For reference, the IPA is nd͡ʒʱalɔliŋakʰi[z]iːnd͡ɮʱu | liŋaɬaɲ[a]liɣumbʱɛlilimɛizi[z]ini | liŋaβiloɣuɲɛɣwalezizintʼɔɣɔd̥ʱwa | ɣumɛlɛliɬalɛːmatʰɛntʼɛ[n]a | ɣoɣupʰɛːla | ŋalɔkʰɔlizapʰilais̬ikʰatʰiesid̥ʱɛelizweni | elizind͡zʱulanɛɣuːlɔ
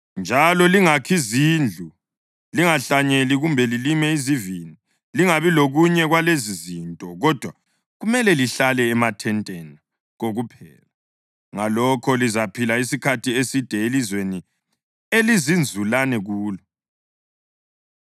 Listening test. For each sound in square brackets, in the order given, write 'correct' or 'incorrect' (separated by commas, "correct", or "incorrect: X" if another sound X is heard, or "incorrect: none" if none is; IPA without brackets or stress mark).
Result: correct, incorrect: e, incorrect: v, correct